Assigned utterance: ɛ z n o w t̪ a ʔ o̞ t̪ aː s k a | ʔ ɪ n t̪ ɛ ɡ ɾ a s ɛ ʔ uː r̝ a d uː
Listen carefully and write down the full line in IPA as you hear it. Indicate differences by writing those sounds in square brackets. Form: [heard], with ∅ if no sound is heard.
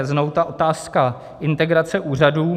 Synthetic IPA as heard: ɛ z n o w t̪ a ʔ o̞ t̪ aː s k a | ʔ ɪ n t̪ ɛ ɡ ɾ a [t͡s] ɛ ʔ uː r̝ a d uː